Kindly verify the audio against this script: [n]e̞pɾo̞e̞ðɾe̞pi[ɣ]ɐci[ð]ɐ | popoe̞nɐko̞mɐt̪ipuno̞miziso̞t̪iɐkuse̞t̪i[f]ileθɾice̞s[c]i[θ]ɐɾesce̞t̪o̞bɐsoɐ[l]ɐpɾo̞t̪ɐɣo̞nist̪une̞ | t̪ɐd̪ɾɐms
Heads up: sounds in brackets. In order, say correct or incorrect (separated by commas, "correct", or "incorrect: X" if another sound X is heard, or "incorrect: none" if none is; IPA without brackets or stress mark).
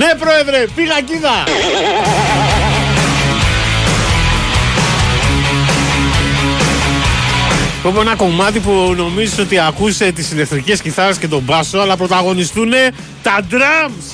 correct, correct, correct, incorrect: s, correct, correct, correct